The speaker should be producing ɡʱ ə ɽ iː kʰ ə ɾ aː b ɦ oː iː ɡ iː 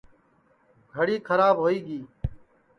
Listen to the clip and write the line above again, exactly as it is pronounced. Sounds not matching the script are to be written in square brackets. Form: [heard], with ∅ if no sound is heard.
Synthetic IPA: ɡʱ ə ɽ iː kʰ ə ɾ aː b ɦ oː iː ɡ iː

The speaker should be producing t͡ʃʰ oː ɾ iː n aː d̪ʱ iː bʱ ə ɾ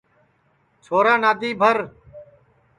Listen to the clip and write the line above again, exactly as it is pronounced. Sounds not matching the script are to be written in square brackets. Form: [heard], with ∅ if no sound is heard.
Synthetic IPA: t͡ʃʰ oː ɾ [aː] n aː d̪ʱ iː bʱ ə ɾ

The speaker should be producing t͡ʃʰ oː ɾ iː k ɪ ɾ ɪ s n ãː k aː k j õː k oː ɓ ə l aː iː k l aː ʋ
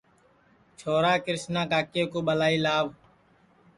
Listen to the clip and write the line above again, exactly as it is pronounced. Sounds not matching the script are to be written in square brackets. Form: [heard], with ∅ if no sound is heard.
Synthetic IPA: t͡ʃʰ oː ɾ [aː] k ɪ ɾ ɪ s n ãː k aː k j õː k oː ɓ ə l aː iː [∅] l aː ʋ

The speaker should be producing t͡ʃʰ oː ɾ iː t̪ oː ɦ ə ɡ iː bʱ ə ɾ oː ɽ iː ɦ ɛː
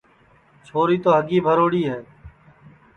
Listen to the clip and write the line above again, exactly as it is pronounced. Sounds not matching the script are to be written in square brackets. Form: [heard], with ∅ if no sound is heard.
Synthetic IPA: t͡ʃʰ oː ɾ iː t̪ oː ɦ ə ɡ iː bʱ ə ɾ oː ɽ iː ɦ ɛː

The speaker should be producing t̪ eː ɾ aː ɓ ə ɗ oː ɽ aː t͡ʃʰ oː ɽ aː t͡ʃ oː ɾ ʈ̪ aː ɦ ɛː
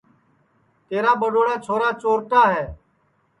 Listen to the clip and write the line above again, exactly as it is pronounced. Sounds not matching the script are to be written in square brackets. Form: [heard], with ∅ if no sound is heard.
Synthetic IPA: t̪ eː ɾ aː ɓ ə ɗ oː ɽ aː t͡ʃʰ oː [ɾ] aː t͡ʃ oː ɾ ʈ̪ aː ɦ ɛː

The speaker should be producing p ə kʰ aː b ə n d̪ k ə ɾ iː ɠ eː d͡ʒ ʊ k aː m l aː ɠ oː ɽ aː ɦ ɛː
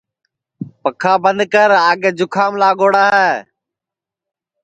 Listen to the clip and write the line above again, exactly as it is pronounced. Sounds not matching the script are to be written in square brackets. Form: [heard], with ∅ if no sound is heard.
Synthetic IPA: p ə kʰ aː b ə n d̪ k ə ɾ [aː] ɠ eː d͡ʒ ʊ [kʰ] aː m l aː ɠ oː ɽ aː ɦ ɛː

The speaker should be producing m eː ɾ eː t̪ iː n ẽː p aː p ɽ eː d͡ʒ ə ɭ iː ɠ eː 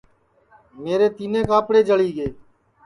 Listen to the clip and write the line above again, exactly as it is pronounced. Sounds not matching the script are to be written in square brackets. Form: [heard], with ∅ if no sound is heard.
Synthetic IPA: m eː ɾ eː t̪ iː n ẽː [k] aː p ɽ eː d͡ʒ ə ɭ iː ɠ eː

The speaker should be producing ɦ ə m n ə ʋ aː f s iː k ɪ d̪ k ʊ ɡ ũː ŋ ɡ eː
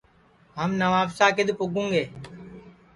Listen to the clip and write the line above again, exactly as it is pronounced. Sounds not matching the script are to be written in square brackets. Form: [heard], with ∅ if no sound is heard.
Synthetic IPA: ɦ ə m n ə ʋ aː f s [aː] k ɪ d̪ [p] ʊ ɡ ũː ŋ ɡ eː

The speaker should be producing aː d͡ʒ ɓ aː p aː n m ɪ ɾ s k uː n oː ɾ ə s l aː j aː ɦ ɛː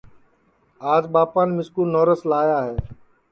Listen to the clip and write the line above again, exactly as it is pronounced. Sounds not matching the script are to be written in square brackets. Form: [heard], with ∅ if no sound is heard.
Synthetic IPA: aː d͡ʒ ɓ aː p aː n m ɪ [∅] s k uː n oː ɾ ə s l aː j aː ɦ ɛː

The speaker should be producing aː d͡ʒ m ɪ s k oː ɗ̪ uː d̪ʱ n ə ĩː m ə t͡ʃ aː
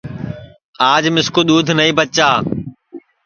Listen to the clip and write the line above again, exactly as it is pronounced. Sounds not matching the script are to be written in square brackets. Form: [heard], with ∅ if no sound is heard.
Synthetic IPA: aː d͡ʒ m ɪ s k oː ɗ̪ uː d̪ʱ n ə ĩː [b] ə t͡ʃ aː

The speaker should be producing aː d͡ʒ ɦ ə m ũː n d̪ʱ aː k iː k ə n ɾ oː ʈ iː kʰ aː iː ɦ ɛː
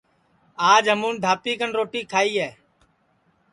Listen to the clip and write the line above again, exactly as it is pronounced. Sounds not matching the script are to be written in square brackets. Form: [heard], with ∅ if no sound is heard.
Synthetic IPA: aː d͡ʒ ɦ ə m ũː n d̪ʱ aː [p] iː k ə n ɾ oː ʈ iː kʰ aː iː ɦ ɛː

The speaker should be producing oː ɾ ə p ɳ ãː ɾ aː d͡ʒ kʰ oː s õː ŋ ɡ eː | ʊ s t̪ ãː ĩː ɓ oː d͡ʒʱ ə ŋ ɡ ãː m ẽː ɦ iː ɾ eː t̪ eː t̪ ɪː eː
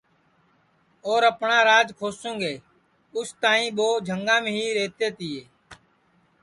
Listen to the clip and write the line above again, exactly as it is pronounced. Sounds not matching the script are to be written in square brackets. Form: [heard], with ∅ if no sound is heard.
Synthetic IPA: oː ɾ ə p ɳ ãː ɾ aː d͡ʒ kʰ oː s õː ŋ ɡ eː | ʊ s t̪ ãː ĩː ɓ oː d͡ʒʱ ə ŋ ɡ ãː m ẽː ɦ iː ɾ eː t̪ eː t̪ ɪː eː

